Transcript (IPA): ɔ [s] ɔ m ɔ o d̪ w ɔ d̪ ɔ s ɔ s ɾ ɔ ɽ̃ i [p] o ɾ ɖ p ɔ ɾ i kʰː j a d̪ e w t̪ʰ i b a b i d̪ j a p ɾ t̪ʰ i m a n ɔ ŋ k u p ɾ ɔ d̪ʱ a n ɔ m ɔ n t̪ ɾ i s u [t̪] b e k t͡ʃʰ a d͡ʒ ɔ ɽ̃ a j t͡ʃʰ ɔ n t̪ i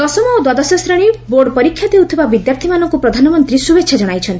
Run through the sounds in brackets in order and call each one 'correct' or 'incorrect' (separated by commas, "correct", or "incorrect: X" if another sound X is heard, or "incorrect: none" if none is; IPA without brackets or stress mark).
correct, incorrect: b, incorrect: none